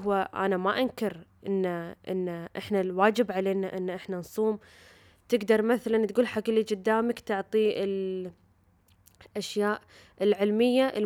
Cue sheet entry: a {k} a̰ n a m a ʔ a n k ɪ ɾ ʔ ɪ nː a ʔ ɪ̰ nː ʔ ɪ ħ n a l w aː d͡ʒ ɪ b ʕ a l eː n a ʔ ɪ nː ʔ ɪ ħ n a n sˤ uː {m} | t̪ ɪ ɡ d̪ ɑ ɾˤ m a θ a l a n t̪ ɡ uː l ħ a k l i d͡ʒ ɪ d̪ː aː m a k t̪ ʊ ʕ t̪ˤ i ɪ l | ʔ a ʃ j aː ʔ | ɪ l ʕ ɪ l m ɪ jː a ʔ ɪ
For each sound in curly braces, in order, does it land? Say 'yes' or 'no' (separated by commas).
no, yes